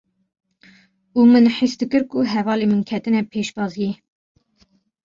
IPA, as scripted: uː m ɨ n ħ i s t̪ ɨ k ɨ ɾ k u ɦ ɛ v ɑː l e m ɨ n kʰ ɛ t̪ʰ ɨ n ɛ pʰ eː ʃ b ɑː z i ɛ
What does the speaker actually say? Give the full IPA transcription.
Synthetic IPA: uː m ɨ n ħ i s d̪ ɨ k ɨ ɾ k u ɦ ɛ v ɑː l e m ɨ n kʰ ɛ t̪ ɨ n ɛ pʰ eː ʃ b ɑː z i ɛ